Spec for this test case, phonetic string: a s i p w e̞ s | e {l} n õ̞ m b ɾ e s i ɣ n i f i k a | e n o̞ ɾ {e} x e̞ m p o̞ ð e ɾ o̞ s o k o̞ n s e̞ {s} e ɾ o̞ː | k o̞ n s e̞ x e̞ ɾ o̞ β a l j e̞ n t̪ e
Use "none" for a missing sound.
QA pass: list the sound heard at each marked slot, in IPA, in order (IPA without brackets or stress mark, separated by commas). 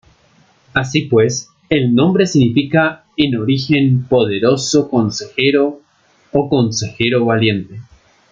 l, i, x